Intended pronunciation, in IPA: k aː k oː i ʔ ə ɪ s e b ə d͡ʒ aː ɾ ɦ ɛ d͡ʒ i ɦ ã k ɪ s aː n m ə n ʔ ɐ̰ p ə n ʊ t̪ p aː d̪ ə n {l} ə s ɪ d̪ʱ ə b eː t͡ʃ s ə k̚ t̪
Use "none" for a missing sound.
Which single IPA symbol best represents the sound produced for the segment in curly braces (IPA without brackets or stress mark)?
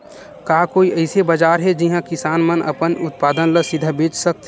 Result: l